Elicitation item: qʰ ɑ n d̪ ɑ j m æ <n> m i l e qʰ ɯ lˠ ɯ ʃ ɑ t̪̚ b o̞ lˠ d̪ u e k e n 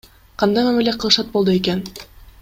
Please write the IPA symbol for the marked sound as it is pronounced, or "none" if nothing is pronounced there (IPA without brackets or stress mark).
none